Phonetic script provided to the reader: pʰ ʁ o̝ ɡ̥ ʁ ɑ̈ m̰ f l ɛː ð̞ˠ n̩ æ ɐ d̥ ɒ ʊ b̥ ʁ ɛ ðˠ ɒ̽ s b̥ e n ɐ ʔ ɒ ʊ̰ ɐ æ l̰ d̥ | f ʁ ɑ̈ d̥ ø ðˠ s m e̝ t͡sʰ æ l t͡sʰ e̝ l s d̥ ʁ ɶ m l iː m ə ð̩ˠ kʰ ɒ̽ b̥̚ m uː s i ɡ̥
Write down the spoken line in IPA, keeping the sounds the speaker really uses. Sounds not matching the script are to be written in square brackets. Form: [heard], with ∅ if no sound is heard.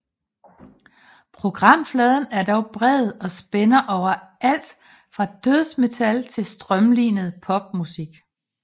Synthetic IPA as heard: pʰ ʁ o̝ ɡ̥ ʁ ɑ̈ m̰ f l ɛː ð̞ˠ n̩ æ ɐ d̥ ɒ ʊ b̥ ʁ ɛ ðˠ ɒ̽ s b̥ e n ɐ ʔ ɒ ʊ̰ ɐ æ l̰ d̥ | f ʁ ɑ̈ d̥ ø ðˠ s m e̝ t͡sʰ æ l t͡sʰ e̝ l s d̥ ʁ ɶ m l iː [n] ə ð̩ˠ [pʰ] ɒ̽ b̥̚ m [u] s i ɡ̥

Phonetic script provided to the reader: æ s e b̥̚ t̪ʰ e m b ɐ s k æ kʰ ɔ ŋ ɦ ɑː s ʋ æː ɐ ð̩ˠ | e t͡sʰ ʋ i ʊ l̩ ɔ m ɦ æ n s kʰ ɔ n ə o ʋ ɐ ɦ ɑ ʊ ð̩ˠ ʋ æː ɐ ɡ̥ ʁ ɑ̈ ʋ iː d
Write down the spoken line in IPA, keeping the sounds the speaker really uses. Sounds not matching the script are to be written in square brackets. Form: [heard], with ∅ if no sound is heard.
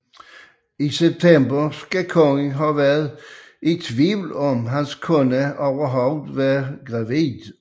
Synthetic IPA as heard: [i] s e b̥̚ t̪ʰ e m b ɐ s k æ kʰ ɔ ŋ ɦ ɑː [∅] ʋ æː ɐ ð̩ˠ | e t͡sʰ ʋ i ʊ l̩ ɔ m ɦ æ n s kʰ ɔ n ə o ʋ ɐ ɦ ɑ ʊ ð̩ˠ ʋ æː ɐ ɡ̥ ʁ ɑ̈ ʋ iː d

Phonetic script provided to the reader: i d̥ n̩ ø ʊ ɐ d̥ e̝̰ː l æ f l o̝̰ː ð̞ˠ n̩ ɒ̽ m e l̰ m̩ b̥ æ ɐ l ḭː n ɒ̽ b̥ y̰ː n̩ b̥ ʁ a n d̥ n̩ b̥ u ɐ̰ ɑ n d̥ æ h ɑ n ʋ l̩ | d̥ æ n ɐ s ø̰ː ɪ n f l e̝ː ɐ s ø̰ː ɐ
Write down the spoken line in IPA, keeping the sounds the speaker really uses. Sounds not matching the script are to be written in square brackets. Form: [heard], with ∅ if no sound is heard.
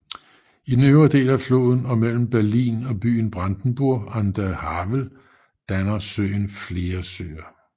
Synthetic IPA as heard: i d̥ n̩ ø ʊ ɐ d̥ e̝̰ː l æ f l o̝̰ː ð̞ˠ n̩ ɒ̽ m e l̰ m̩ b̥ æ ɐ l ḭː n ɒ̽ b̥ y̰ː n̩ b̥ ʁ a n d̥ n̩ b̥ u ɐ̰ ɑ n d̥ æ h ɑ [∅] ʋ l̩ | d̥ æ n ɐ s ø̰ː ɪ n f l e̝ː ɐ s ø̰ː ɐ

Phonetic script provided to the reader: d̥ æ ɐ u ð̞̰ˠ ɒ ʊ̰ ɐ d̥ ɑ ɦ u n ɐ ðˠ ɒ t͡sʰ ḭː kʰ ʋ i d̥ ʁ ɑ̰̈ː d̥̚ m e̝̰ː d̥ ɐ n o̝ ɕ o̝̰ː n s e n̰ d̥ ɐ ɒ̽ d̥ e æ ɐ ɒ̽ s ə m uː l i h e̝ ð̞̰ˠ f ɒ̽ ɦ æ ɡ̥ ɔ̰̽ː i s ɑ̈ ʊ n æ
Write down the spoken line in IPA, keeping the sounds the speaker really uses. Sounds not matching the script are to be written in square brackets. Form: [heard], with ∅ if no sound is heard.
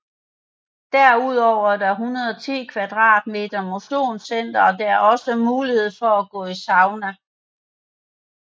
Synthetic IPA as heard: d̥ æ ɐ u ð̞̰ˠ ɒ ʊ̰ ɐ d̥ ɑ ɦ u n ɐ ðˠ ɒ t͡sʰ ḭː kʰ ʋ [æ] d̥ ʁ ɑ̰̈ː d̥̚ m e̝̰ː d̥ ɐ [m] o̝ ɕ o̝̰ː n s e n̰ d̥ ɐ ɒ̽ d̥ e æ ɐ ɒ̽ s ə m uː l i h e̝ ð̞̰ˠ f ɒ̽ [∅] æ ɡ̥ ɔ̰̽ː i s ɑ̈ ʊ n æ

